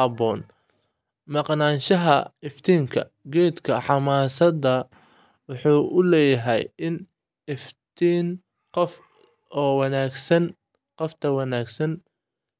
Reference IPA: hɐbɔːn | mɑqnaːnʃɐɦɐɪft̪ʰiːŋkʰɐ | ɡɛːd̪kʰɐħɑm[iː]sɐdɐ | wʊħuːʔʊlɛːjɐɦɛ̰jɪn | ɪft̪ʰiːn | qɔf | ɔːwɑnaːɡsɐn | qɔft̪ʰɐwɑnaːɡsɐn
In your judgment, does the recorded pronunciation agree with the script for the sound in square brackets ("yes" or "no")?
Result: no